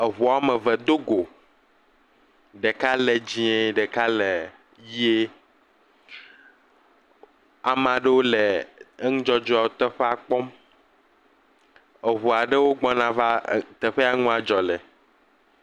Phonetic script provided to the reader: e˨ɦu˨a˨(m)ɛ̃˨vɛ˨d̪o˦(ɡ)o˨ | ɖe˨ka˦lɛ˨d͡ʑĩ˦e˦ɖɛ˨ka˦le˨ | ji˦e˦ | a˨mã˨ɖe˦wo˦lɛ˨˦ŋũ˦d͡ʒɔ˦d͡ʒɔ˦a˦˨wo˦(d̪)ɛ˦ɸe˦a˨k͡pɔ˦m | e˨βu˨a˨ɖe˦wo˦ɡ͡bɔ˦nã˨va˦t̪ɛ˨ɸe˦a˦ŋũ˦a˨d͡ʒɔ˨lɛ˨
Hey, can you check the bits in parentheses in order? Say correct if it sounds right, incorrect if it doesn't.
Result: correct, correct, incorrect: t̪

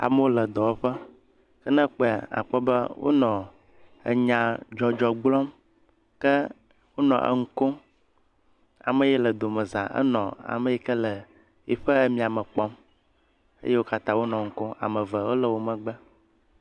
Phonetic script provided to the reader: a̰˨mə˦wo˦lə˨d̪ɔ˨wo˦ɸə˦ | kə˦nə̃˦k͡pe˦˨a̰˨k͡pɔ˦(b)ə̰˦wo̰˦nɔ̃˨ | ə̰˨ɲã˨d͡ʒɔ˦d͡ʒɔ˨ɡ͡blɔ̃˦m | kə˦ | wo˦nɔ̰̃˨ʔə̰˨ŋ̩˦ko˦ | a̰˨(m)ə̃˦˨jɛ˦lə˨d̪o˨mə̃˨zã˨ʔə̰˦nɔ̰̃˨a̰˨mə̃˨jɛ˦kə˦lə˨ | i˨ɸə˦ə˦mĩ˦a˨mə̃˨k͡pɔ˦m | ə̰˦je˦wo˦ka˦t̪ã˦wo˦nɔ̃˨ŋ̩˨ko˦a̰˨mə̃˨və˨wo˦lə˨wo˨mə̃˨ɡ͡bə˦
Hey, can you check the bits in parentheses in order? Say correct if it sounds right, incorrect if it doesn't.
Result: correct, correct

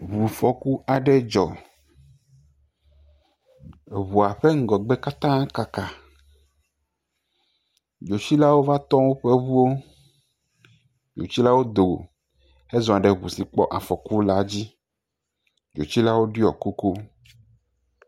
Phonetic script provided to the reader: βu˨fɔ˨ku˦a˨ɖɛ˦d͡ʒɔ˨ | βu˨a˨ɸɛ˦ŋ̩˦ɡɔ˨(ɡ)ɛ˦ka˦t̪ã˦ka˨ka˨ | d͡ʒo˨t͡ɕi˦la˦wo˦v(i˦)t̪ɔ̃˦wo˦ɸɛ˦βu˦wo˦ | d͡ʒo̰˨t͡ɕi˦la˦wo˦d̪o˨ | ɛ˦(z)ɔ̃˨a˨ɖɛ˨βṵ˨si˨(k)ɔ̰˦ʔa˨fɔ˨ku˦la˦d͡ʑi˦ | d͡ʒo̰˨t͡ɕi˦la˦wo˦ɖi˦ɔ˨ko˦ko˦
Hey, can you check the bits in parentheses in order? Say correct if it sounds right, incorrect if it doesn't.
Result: incorrect: ɡ͡b, incorrect: a˦, correct, incorrect: k͡p

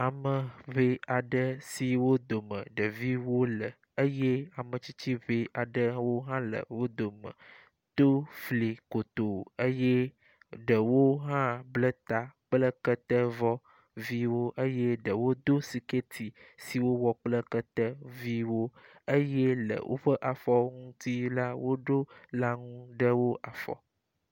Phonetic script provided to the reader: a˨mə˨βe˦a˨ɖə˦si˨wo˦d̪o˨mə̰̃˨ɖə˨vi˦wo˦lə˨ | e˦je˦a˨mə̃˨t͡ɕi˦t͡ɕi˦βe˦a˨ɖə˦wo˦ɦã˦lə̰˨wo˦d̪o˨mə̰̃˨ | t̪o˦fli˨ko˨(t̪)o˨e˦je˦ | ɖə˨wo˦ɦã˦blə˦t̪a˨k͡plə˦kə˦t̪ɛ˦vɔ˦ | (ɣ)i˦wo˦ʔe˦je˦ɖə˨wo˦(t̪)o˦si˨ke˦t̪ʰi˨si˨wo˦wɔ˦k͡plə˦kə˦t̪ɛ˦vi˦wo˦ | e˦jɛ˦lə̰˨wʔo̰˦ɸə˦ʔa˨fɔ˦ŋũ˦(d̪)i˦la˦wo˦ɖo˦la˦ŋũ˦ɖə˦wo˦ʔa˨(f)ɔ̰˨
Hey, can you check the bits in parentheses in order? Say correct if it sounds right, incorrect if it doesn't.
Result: correct, incorrect: v, incorrect: d̪, incorrect: t̪, correct

